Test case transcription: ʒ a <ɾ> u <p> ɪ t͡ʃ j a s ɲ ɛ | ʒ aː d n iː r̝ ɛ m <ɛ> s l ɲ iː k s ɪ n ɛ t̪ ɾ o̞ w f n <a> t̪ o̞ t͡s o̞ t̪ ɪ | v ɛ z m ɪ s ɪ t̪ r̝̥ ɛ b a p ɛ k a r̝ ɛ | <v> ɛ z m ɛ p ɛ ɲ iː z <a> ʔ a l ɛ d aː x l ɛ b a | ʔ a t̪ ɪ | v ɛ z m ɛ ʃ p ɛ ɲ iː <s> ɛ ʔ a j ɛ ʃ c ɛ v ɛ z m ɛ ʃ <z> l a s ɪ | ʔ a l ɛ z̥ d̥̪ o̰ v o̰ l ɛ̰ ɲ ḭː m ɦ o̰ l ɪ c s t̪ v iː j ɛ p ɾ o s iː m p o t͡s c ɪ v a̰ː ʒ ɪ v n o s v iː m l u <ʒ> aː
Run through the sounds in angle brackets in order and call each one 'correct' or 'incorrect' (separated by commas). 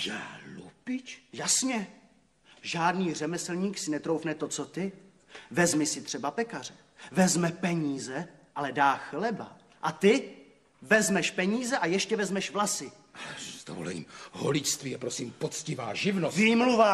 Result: incorrect, correct, correct, incorrect, correct, incorrect, incorrect, incorrect, incorrect